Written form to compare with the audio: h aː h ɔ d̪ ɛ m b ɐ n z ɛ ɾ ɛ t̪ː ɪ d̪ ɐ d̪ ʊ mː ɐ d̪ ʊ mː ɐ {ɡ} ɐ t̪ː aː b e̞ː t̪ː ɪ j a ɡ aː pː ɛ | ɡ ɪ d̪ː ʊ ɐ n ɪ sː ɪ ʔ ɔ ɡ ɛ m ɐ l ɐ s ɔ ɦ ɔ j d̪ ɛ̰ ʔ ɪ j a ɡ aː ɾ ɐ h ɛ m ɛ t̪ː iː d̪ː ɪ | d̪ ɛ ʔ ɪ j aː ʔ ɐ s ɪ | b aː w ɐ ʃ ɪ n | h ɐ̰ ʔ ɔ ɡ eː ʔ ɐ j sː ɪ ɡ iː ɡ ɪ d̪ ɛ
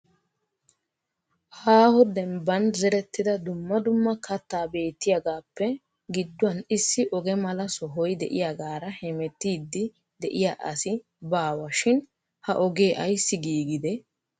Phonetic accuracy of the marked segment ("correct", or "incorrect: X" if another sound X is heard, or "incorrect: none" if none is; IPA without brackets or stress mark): incorrect: k